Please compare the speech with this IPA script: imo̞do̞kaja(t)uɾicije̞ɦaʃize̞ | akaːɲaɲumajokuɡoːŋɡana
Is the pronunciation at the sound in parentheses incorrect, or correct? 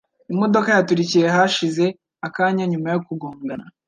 correct